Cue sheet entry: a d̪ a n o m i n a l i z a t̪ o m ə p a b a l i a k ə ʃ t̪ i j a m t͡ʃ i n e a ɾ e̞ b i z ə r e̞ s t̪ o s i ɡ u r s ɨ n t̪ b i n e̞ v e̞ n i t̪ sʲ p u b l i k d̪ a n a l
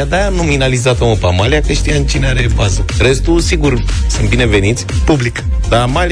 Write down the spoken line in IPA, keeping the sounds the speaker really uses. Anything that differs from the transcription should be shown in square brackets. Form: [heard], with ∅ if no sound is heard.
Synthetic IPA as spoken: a d̪ a n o m i n a l i z a t̪ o m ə p a [m] a l i a k ə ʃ t̪ i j a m t͡ʃ i n e a ɾ e̞ b [a] z ə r e̞ s t̪ [u] s i ɡ u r s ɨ n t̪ b i n e̞ v e̞ n i t̪ sʲ p u b l i k d̪ a [m] a l